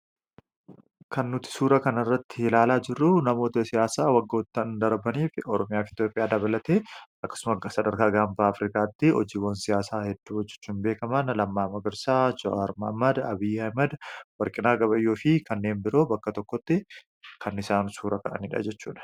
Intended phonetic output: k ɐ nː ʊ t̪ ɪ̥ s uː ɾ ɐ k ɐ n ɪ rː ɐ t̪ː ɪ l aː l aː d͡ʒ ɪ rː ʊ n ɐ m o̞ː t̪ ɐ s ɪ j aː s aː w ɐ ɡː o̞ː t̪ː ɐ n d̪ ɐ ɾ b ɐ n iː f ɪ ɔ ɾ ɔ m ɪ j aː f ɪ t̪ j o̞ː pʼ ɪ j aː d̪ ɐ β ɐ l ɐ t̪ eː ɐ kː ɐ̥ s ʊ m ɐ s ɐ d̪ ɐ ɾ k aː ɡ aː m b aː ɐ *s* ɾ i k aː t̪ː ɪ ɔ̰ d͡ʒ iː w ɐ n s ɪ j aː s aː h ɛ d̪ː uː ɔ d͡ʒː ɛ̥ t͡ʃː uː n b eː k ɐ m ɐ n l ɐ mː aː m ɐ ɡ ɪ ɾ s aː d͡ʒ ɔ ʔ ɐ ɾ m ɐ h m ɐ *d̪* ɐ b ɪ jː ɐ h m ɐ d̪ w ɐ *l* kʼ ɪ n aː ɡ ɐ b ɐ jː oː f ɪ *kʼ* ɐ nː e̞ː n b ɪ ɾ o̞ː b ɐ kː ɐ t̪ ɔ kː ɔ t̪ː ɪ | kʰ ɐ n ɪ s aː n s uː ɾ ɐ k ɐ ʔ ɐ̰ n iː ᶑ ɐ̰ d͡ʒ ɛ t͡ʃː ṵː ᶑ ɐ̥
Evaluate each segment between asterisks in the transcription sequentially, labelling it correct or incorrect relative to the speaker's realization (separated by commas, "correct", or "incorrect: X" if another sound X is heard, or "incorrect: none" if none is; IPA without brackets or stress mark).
incorrect: f, correct, incorrect: ɾ, incorrect: k